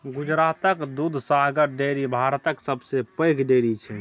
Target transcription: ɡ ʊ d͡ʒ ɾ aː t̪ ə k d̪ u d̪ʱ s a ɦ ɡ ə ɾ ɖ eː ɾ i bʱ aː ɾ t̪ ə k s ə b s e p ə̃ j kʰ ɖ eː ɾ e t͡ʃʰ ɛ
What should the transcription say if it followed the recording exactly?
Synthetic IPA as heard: ɡ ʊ d͡ʒ ɾ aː t̪ ə k d̪ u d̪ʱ s a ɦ ɡ ə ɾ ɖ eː ɾ i bʱ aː ɾ t̪ ə k s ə b s e p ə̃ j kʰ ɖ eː ɾ i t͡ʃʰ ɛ